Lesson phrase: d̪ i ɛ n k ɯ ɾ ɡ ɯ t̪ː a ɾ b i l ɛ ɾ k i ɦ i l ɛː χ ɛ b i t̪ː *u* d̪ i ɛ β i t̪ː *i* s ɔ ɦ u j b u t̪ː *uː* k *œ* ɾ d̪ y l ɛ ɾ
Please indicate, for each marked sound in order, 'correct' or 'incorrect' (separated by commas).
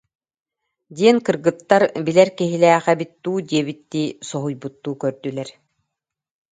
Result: incorrect, incorrect, correct, correct